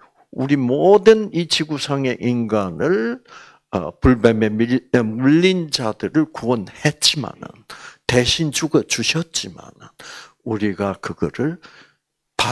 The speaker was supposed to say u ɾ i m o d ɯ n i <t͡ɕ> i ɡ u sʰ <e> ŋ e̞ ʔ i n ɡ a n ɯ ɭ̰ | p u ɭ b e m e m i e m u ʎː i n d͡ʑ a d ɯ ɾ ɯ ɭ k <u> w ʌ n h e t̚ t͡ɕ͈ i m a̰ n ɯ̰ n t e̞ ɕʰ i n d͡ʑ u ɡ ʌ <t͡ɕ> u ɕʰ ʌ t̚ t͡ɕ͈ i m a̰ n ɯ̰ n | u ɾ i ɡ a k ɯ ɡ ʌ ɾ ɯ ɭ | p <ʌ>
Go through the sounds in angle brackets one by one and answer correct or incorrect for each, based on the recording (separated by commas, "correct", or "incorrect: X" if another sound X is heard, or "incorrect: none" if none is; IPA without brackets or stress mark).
correct, incorrect: a, correct, correct, incorrect: a